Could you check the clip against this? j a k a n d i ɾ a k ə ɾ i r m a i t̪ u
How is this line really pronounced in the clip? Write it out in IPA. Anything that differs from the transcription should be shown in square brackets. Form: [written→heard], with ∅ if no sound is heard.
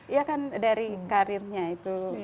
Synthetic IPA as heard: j a k a n d [i→a] ɾ [a→i] k [ə→a] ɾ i r [m→ɲ] a i t̪ u